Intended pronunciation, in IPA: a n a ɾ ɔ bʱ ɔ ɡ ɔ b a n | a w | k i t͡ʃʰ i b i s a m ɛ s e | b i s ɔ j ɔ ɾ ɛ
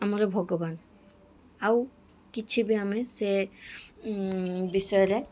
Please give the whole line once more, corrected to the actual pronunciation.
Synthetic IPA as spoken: a m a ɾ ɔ bʱ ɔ ɡ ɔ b a n | a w | k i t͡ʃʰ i b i a m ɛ s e | b i s ɔ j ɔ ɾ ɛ